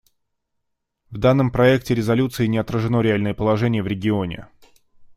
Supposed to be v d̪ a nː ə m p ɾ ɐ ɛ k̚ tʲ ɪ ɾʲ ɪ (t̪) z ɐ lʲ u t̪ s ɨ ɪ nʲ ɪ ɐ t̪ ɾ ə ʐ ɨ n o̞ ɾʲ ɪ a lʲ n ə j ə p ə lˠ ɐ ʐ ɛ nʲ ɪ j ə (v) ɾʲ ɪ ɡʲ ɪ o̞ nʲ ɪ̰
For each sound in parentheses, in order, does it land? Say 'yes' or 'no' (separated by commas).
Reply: no, yes